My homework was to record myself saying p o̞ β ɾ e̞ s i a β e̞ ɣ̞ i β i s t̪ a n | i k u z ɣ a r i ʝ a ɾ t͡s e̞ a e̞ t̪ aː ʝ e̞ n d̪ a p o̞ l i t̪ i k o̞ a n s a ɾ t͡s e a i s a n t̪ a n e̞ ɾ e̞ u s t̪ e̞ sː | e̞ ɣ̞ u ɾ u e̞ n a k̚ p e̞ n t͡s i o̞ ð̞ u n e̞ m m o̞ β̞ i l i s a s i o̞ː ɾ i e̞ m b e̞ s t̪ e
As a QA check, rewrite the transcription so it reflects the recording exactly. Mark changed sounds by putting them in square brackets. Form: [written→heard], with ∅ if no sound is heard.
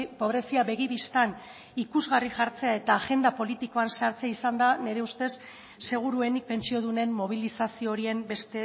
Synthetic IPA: p o̞ β ɾ e̞ s i a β e̞ ɣ̞ i β i s t̪ a n | i k u z ɣ a r i ʝ a ɾ t͡s e̞ a e̞ t̪ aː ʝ e̞ n d̪ a p o̞ l i t̪ i k o̞ a n s a ɾ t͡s e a i s a n [t̪→d̪] a n e̞ ɾ e̞ u s t̪ e̞ sː | e̞ ɣ̞ u ɾ u e̞ n [a→i] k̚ p e̞ n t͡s i o̞ ð̞ u n e̞ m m o̞ β̞ i l i s a s i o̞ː ɾ i e̞ m b e̞ s t̪ e